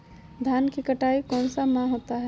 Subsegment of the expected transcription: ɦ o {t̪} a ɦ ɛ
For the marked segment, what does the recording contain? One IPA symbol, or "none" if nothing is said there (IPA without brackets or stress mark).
t̪